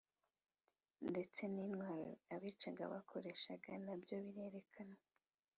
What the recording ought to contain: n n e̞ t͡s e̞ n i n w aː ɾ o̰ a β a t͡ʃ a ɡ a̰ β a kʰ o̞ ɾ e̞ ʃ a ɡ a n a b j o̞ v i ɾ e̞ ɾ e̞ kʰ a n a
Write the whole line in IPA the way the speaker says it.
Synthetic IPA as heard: n d e̞ t͡s e̞ n i n w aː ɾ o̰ a β i t͡ʃ a ɡ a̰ β a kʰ o̞ ɾ e̞ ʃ a ɡ a n a b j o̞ β i ɾ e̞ ɾ e̞ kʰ a n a